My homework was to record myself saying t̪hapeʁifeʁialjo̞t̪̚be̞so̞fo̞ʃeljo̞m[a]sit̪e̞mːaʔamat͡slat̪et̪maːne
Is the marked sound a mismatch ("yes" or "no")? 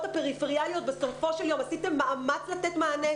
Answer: no